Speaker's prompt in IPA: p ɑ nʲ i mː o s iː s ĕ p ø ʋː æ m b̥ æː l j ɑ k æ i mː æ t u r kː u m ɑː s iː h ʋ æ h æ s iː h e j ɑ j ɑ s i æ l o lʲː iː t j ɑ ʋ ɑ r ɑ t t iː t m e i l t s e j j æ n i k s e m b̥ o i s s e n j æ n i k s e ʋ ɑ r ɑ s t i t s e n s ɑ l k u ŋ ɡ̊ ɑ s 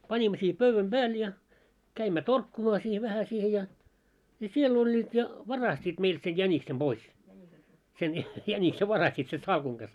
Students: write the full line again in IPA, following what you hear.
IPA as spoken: p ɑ nʲ i mː o s iː h ĕ p ø ʋː æ m b̥ æː l j ɑ k æ i mː æ t o r kː u m ɑː s iː h ʋ æ h æ s iː h e j ɑ j ɑ s i e l o lʲː iː t j ɑ ʋ ɑ r ɑ s t iː t m e i l t s e j j æ n i k s e m b̥ o i s s e n j æ n i k s e ʋ ɑ r ɑ s t i t s e n s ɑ l k u ŋ ɡ̊ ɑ s